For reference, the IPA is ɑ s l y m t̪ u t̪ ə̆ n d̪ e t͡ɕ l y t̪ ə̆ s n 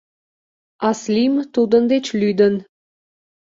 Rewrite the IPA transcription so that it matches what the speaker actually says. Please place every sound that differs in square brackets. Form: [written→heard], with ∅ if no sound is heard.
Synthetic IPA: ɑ s l [y→i] m t̪ u [t̪→d̪] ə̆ n d̪ e t͡ɕ l y [t̪→d̪] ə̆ [s→∅] n

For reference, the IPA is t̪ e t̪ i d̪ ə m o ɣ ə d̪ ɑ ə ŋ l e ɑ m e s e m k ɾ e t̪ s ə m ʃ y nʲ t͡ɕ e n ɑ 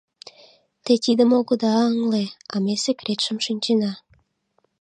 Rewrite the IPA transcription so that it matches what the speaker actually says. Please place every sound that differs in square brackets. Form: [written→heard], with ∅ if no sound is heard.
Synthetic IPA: t̪ e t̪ i d̪ ə m o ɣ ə d̪ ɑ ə ŋ l e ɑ m e s e [m→∅] k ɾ e t̪ [s→ʃ] ə m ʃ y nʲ t͡ɕ e n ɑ

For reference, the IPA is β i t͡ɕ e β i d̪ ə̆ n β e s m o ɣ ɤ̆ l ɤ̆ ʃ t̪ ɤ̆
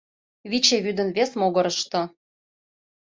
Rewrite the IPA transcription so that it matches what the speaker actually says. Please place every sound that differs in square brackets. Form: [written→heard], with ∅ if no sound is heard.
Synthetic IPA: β i t͡ɕ e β [i→y] d̪ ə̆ n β e s m o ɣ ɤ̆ [l→ɾ] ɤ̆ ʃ t̪ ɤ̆

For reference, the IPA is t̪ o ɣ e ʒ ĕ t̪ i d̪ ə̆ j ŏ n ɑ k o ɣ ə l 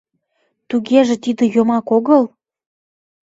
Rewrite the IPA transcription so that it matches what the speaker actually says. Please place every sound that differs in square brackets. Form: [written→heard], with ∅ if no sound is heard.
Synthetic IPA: t̪ [o→u] ɣ e ʒ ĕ t̪ i d̪ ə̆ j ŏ [n→m] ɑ k o ɣ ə l

